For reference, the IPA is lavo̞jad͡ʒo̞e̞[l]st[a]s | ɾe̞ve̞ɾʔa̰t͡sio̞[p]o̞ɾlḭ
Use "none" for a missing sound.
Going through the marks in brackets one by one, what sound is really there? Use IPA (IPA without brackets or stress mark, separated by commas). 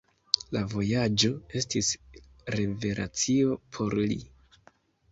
none, i, pʰ